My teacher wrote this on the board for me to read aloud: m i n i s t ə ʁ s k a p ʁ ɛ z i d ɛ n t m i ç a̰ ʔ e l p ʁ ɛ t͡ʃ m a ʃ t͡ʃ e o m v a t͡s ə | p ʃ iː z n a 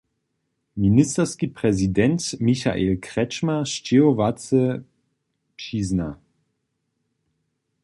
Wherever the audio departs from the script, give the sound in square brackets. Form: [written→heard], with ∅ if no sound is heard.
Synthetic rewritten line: m i n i s t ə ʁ s k [a→i] p ʁ ɛ z i d ɛ n t m i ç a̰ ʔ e l [p→k] ʁ ɛ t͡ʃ m a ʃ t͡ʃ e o [m→∅] v a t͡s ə | p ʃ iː z n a

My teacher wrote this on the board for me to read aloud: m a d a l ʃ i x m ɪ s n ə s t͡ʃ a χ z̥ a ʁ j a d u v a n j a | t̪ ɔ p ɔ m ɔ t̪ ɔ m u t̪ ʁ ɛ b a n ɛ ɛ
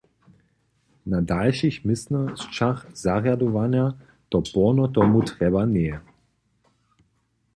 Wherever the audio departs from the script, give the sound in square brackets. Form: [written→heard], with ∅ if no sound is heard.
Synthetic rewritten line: [m→n] a d a l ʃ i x m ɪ s n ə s t͡ʃ a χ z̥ a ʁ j a d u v a n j a | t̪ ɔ p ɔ [m→n] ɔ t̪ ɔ m u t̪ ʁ ɛ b a n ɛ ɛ

